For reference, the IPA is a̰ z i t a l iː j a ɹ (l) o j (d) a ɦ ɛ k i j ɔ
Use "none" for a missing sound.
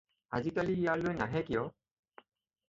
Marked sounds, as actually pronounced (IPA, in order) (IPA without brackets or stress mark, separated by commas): l, n